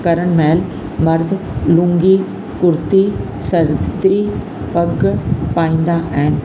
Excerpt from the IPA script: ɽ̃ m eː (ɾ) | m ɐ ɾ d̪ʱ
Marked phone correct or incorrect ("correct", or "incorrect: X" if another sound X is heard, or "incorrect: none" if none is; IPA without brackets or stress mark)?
incorrect: l